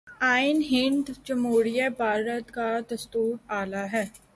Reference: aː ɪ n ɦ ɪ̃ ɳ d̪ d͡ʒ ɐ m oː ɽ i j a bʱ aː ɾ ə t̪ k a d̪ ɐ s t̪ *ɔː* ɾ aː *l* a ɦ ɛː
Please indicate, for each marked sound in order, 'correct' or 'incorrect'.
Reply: incorrect: uː, correct

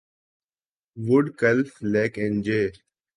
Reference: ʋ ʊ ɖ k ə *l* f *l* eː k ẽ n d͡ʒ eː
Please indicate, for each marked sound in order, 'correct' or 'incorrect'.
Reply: correct, correct

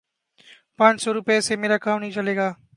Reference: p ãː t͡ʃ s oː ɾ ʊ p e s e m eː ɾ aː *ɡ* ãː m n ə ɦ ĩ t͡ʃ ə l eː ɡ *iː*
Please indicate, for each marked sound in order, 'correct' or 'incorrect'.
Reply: incorrect: k, incorrect: aː

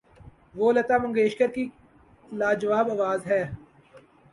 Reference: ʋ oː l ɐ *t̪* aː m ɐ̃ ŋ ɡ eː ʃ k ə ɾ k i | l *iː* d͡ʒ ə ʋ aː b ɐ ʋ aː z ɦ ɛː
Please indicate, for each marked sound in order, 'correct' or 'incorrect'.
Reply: correct, incorrect: aː

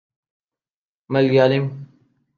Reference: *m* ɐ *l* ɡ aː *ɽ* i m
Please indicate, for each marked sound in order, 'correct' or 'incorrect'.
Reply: correct, correct, incorrect: l

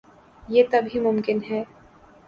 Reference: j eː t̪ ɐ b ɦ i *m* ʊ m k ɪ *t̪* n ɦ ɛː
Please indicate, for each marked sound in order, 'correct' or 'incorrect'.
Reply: correct, incorrect: none

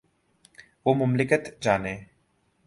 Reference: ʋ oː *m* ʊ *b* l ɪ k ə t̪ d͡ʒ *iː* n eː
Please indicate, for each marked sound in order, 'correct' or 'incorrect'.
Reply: correct, incorrect: m, incorrect: aː

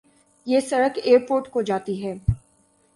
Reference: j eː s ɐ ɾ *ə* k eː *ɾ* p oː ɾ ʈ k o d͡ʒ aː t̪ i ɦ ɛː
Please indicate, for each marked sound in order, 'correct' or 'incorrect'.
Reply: correct, correct

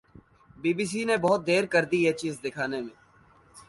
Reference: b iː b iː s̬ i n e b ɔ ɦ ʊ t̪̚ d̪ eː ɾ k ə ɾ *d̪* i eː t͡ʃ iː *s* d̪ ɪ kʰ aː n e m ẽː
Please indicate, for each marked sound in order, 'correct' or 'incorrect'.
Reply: correct, incorrect: z

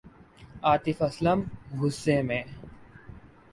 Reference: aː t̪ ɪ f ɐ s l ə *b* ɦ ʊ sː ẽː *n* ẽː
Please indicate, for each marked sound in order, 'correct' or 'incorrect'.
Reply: incorrect: m, incorrect: m

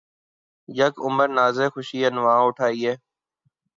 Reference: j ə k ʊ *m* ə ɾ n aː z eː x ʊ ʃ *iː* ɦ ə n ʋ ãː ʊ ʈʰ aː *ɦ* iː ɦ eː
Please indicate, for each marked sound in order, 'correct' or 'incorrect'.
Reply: correct, correct, incorrect: none

